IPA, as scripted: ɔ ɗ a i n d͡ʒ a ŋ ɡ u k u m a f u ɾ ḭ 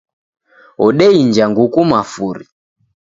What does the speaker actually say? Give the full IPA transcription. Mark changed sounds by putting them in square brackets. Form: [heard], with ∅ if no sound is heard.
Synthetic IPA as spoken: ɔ ɗ [ɛ] i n d͡ʒ a ŋ ɡ u k u m a f u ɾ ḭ